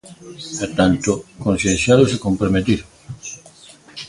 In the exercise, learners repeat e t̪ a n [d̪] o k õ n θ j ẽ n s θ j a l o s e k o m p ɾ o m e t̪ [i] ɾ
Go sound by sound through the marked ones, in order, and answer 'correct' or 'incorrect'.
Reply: incorrect: t̪, correct

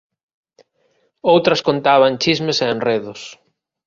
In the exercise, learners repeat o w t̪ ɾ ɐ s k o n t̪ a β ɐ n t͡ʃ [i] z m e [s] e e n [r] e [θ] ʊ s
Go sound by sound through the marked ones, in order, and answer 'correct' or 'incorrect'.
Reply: correct, correct, correct, incorrect: ð

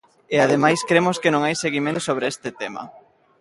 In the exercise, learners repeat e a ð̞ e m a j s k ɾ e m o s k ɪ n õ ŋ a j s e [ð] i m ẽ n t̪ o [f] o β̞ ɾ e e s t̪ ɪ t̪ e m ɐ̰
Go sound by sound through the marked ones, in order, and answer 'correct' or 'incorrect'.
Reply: incorrect: ɣ, incorrect: s

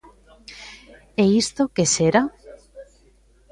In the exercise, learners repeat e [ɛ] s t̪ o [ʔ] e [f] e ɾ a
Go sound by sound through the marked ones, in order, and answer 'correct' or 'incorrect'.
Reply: incorrect: i, incorrect: k, incorrect: s

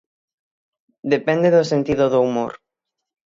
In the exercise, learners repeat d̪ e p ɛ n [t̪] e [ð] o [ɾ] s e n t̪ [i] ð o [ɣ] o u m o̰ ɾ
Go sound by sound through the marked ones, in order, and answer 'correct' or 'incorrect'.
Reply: incorrect: d̪, correct, incorrect: none, correct, incorrect: ð

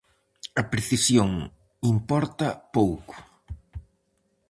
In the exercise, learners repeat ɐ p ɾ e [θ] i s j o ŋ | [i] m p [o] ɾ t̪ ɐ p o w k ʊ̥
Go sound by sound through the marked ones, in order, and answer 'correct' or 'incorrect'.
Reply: correct, correct, incorrect: ɔ

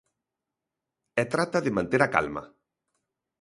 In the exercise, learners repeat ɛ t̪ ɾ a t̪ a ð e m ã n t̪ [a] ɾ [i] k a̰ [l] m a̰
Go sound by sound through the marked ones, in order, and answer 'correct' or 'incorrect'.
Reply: incorrect: e, incorrect: a, correct

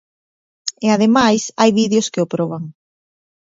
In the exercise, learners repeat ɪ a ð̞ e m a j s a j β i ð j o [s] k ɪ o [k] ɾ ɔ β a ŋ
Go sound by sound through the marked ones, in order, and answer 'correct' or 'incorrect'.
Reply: correct, incorrect: p

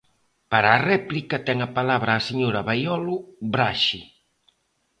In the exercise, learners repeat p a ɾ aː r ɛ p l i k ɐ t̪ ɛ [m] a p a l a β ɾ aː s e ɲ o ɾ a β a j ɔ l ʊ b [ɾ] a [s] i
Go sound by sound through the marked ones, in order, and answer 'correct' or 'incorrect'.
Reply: incorrect: ŋ, correct, incorrect: ʃ

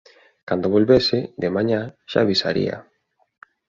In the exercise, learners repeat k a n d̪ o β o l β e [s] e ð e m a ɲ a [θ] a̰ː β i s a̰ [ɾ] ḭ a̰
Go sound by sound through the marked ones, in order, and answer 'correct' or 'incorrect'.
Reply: correct, incorrect: ʃ, correct

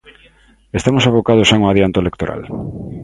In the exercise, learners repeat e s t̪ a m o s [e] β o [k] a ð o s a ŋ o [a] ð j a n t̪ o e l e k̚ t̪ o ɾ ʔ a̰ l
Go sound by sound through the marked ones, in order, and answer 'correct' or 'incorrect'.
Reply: incorrect: a, correct, correct

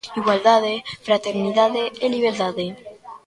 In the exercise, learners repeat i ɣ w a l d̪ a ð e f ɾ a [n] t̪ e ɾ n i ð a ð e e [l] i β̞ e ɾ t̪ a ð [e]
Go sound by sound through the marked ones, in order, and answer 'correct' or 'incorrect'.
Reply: incorrect: none, correct, correct

